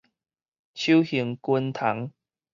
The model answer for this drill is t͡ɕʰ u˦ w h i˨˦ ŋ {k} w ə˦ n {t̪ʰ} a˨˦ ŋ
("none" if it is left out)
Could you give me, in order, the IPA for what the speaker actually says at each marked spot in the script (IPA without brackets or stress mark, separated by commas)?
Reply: k, t̪ʰ